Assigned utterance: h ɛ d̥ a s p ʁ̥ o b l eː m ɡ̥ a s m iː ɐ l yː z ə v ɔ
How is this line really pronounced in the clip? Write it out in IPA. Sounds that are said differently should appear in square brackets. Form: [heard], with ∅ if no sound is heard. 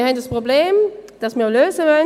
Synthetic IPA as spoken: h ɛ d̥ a s p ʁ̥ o b l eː m [d̥] a s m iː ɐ l [øː] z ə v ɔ